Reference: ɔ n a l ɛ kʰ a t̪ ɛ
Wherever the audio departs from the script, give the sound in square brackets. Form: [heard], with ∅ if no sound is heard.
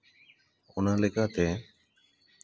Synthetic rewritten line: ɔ n a l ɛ [k] a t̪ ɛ